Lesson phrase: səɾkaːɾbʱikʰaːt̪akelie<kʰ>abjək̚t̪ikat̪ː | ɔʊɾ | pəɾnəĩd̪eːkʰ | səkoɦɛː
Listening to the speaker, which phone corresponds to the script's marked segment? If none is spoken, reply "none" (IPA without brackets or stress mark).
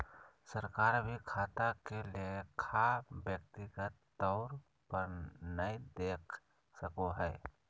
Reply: kʰ